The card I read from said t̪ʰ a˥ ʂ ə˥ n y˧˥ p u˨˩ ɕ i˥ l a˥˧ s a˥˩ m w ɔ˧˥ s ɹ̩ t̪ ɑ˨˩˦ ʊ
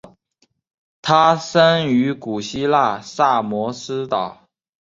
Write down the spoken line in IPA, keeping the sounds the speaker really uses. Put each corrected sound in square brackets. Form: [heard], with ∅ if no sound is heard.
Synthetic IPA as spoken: t̪ʰ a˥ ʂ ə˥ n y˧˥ [k] u˨˩ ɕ i˥ l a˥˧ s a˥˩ m w ɔ˧˥ s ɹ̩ t̪ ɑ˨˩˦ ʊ